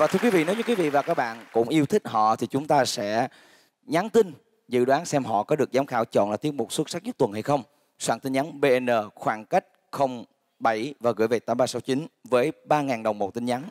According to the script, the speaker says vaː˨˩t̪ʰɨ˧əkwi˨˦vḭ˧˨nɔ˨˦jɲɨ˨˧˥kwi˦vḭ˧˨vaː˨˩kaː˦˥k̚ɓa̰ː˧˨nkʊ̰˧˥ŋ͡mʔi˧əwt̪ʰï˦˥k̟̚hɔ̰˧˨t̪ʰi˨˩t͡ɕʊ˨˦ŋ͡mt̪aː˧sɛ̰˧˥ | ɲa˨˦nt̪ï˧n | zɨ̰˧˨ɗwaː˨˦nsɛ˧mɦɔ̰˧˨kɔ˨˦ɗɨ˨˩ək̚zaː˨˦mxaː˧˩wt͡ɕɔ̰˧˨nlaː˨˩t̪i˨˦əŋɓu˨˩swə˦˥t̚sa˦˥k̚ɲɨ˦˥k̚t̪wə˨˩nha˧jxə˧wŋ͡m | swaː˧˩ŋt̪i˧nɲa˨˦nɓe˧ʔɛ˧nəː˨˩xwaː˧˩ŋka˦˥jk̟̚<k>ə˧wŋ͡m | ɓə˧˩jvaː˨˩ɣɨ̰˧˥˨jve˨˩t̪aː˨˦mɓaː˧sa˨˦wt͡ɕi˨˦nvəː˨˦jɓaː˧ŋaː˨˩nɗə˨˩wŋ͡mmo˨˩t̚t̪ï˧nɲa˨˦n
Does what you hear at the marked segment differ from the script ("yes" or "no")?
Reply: yes